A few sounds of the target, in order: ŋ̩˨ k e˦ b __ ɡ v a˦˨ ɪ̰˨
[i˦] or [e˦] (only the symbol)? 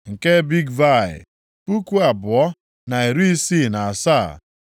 i˦